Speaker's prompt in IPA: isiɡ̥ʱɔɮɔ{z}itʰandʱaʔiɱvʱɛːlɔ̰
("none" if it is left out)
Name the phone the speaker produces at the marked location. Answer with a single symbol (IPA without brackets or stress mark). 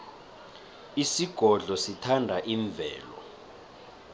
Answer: s